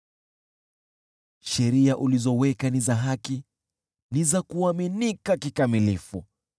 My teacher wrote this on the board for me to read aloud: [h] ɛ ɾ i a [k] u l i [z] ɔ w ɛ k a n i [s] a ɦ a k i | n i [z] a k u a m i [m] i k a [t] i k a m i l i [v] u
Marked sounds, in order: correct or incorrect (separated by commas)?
incorrect, incorrect, correct, incorrect, correct, incorrect, incorrect, incorrect